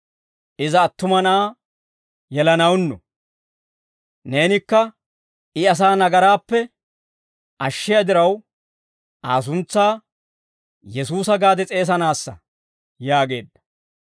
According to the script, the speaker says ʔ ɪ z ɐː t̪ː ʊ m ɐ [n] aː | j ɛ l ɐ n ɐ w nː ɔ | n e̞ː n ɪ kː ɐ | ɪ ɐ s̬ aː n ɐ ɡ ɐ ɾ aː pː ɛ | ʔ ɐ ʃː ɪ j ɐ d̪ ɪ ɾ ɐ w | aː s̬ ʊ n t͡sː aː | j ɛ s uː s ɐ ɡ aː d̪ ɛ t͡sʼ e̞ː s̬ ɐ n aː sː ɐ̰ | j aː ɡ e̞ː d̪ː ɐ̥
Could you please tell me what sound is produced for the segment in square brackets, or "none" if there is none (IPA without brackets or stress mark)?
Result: n